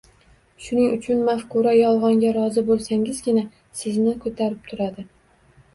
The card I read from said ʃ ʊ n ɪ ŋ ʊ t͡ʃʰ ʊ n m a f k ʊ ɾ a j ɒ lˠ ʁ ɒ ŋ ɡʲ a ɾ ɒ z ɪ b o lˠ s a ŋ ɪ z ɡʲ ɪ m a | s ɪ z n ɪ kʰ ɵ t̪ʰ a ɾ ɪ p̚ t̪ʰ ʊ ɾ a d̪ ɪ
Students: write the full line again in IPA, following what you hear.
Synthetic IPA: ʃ ʊ n ɪ ŋ ʊ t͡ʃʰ ʊ n m a f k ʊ ɾ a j ɒ lˠ ʁ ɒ ŋ ɡʲ a ɾ ɒ z ɪ b o lˠ s a ŋ ɪ z ɡʲ ɪ n a | s ɪ z n ɪ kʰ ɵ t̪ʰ a ɾ ɪ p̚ t̪ʰ ʊ ɾ a d̪ ɪ